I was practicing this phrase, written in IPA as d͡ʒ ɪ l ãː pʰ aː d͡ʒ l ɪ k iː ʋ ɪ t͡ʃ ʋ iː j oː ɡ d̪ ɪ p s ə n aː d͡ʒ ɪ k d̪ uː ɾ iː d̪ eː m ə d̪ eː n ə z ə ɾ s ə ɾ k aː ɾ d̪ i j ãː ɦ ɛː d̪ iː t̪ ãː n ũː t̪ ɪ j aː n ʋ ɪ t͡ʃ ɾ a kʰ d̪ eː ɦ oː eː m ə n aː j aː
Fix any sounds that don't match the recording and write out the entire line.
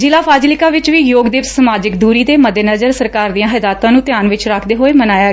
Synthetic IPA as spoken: d͡ʒ ɪ l aː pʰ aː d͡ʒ l ɪ k aː ʋ ɪ t͡ʃ ʋ iː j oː ɡ d̪ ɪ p s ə m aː d͡ʒ ɪ k d̪ uː ɾ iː d̪ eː m ə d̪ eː n ə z ə ɾ s ə ɾ k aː ɾ d̪ i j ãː ɦ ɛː d̪ aː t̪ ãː n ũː t̪ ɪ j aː n ʋ ɪ t͡ʃ ɾ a kʰ d̪ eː ɦ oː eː m ə n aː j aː

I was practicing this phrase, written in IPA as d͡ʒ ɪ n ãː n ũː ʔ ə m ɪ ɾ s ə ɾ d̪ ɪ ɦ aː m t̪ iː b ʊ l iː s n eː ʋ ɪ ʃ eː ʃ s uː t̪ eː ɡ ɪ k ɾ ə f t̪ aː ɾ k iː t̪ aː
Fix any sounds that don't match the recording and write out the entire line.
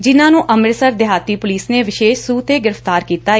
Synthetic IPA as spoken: d͡ʒ ɪ n ãː n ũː ʔ ə m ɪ ɾ s ə ɾ d̪ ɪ ɦ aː t̪ iː p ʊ l iː s n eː ʋ ɪ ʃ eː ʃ s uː t̪ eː ɡ ɪ ɾ ə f t̪ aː ɾ k iː t̪ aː

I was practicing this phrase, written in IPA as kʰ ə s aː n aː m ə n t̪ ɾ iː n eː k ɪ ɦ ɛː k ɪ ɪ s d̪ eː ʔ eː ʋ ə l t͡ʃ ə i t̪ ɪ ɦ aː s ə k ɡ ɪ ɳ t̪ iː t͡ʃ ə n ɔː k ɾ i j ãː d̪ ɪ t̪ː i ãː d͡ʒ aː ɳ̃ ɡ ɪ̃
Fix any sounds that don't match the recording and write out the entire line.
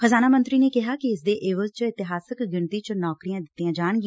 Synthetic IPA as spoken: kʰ ə z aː n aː m ə n t̪ ɾ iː n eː k ɪ ɦ aː k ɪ ɪ s d̪ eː ʔ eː ʋ ə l t͡ʃ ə ɪ t̪ ɪ ɦ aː s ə k ɡ ɪ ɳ t̪ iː t͡ʃ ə n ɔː k ɾ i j ãː d̪ ɪ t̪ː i ãː d͡ʒ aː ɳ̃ ɡ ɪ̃

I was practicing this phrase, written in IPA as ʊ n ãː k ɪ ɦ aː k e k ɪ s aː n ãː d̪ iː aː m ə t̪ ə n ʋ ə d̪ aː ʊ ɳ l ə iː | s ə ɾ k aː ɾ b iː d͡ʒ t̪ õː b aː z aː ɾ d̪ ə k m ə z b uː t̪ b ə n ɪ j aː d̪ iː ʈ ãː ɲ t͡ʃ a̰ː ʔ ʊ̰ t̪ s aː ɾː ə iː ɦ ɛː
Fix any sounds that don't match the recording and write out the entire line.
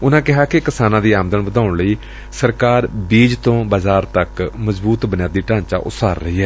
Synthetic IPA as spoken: ʊ n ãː k ɪ ɦ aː k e k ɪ s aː n ãː d̪ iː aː m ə d̪ ə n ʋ ə d̪ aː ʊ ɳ l ə iː | s ə ɾ k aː ɾ b iː d͡ʒ t̪ õː b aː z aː ɾ t̪ ə k m ə z b uː t̪ b ə n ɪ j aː d̪ iː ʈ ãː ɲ t͡ʃ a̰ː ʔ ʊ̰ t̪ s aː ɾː ə iː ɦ ɛː

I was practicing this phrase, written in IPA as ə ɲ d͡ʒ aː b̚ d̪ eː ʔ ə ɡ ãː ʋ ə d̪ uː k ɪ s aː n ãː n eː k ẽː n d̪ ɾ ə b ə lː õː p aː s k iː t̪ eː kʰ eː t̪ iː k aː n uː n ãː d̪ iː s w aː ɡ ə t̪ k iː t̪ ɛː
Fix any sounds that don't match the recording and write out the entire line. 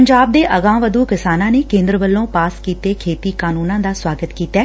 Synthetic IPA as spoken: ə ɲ d͡ʒ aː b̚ d̪ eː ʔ ə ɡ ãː ʋ ə d̪ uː k ɪ s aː n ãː n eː k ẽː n d̪ ɾ ə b ə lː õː p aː s k iː t̪ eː kʰ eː t̪ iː k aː n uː n ãː d̪ aː s w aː ɡ ə t̪ k iː t̪ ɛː

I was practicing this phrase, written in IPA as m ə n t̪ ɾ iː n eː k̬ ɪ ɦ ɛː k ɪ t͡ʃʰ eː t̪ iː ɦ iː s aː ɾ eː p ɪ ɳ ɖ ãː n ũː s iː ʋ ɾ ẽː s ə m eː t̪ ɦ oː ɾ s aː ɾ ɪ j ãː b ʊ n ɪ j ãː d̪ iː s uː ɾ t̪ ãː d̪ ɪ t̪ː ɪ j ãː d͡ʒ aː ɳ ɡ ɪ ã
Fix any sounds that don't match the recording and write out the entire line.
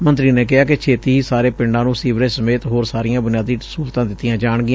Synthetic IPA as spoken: m ə n t̪ ɾ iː n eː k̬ ɪ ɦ aː k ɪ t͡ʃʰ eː t̪ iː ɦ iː s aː ɾ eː p ɪ ɳ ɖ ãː n ũː s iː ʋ ɾ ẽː s ə m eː t̪ ɦ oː ɾ s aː ɾ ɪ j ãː b ʊ n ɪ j aː d̪ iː s uː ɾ t̪ ãː d̪ ɪ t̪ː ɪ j ãː d͡ʒ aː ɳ ɡ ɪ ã

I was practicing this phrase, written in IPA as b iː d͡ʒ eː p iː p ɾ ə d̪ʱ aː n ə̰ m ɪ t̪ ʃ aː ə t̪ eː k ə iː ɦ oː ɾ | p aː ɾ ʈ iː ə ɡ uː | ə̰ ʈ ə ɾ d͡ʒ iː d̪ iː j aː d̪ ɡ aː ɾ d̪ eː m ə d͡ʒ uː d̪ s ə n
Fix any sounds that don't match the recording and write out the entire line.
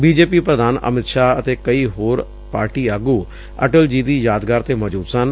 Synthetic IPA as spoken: b iː d͡ʒ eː p iː p ɾ ə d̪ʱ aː n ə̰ m ɪ t̪ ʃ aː ə t̪ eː k ə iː ɦ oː ɾ | p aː ɾ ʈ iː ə ɡ uː | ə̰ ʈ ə l d͡ʒ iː d̪ iː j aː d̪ ɡ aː ɾ t̪ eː m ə d͡ʒ uː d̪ s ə n

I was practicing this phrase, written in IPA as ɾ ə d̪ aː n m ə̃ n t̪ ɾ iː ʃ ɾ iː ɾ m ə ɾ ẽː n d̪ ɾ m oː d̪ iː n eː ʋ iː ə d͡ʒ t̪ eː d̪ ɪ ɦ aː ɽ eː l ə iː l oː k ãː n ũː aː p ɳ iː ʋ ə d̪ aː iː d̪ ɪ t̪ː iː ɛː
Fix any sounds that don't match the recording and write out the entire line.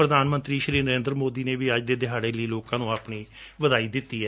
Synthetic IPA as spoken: ɾ ə d̪ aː n m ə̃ n t̪ ɾ iː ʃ ɾ iː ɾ n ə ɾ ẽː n d̪ ɾ m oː d̪ iː n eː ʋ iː ə d͡ʒ d̪ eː d̪ ɪ ɦ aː ɽ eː l ə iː l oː k ãː n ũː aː p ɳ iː ʋ ə d̪ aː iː d̪ ɪ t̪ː iː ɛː

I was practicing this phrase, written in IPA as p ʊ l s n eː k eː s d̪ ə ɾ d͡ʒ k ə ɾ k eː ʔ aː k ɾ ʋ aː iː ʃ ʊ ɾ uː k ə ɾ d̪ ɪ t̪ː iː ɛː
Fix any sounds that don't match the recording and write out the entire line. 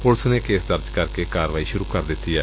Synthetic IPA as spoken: p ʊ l s n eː k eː s d̪ ə ɾ d͡ʒ k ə ɾ k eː k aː ɾ ʋ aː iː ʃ ʊ ɾ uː k ə ɾ d̪ ɪ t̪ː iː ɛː

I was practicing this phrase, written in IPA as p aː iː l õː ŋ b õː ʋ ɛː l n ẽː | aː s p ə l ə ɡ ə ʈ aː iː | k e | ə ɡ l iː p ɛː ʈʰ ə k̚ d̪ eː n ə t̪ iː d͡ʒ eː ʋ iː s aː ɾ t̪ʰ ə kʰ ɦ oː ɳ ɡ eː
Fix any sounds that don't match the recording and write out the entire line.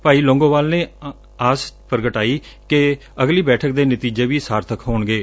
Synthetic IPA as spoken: p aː iː l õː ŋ ɡ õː ʋ aː l n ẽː | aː s p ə ɾ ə ɡ ə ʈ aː iː | k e | ə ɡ l iː b ɛː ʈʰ ə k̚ d̪ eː n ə t̪ iː d͡ʒ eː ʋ iː s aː ɾ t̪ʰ ə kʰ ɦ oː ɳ ɡ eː

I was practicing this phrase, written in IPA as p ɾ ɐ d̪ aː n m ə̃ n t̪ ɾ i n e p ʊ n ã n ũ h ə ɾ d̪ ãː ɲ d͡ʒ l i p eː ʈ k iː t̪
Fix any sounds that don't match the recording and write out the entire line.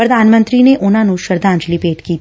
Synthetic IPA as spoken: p ɾ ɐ d̪ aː n m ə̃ n t̪ ɾ i n e ʔ ʊ n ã n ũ ʃ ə ɾ d̪ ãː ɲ d͡ʒ l i p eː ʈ k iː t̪

